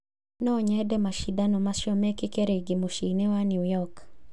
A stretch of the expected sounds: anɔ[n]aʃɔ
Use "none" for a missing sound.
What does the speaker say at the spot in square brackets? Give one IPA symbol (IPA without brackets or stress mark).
m